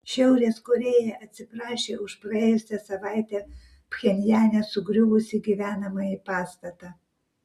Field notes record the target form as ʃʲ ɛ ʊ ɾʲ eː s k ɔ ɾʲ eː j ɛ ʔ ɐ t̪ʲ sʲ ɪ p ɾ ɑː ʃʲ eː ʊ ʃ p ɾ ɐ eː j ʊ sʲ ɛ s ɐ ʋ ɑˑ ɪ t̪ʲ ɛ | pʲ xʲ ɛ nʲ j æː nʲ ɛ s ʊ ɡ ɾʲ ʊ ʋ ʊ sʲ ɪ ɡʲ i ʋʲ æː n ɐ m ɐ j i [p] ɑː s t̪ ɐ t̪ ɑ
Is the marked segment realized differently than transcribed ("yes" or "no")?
no